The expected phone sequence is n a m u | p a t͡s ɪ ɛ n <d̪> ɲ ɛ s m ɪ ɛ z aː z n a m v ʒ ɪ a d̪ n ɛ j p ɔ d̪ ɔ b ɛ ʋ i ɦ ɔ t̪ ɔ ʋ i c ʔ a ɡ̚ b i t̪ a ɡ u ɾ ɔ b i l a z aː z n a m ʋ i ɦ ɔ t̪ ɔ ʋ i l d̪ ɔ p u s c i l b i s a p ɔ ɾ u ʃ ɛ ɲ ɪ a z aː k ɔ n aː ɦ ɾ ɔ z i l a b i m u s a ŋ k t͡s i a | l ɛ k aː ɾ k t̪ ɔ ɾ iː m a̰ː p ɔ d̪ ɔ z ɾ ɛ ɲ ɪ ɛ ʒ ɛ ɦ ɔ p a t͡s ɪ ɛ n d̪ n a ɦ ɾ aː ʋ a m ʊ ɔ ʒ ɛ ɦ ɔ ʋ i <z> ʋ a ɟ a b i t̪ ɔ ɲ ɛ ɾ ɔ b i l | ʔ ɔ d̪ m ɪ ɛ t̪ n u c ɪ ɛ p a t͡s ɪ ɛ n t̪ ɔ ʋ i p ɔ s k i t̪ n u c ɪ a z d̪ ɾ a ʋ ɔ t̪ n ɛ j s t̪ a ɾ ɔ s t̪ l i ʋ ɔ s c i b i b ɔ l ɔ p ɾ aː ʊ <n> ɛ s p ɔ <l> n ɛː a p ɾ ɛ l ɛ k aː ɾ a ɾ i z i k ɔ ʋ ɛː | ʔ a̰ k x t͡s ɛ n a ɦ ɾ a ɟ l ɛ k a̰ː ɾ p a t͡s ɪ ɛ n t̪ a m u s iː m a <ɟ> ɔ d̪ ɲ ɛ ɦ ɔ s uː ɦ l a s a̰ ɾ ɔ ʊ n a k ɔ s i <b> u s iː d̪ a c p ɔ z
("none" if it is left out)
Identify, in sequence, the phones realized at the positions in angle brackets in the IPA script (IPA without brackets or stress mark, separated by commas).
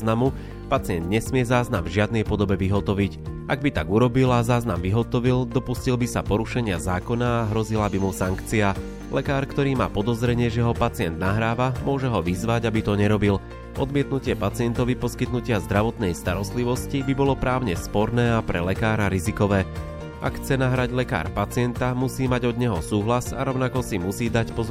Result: d̪, z, ɲ, ɾ, ɟ, m